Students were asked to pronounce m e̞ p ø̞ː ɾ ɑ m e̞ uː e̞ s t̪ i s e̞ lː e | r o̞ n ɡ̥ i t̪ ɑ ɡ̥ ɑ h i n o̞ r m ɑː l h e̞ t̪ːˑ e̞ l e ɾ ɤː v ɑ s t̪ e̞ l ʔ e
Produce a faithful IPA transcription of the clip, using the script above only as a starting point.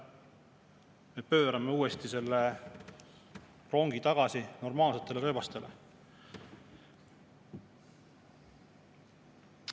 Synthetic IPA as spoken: m e̞ p ø̞ː ɾ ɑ m e̞ uː e̞ s t̪ i s e̞ lː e | r o̞ ŋ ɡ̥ i t̪ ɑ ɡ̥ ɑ s i n o̞ r m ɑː l s e̞ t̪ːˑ e̞ l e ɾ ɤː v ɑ s t̪ e̞ l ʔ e